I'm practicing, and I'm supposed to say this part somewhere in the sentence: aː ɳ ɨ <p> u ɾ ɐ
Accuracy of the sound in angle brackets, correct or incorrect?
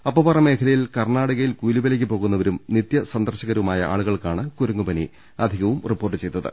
incorrect: k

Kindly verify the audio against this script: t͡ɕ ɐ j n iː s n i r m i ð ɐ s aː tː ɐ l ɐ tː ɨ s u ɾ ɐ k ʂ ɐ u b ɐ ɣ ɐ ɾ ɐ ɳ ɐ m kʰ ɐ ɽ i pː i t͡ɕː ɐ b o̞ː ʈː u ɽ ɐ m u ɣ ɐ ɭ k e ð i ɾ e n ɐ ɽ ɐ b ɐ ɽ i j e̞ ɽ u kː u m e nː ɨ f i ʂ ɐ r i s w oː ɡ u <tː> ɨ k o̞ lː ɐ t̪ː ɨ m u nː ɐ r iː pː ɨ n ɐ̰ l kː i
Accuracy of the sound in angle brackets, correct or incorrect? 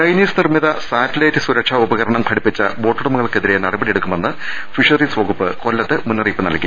incorrect: pː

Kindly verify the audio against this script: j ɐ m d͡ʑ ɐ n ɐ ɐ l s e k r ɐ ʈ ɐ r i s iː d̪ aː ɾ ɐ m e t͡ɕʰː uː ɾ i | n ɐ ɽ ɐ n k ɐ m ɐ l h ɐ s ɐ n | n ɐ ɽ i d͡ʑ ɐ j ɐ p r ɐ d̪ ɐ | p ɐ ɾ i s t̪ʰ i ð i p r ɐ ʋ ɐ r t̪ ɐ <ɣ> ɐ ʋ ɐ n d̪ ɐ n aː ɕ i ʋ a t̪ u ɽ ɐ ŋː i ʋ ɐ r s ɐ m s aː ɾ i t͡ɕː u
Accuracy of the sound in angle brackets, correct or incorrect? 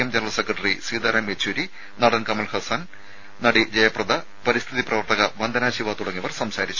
correct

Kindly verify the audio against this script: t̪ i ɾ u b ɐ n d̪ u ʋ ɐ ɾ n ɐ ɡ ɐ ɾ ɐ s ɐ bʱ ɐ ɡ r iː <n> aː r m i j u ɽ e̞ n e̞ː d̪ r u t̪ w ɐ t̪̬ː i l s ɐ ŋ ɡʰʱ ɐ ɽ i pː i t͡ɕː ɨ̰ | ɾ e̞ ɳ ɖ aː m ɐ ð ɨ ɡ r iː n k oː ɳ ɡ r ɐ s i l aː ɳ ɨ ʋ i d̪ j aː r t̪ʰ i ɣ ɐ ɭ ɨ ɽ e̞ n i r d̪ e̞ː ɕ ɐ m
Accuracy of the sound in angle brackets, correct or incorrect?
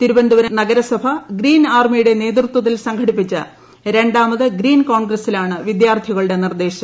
correct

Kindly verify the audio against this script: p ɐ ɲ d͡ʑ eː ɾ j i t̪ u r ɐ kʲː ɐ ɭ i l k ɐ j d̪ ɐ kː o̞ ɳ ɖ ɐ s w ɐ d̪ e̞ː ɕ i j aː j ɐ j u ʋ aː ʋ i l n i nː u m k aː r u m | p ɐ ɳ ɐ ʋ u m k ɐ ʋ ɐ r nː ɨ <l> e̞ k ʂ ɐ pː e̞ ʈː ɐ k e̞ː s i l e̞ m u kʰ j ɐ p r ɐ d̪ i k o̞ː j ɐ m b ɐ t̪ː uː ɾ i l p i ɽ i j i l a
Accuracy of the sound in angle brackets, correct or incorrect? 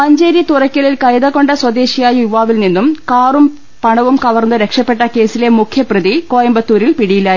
incorrect: ɾ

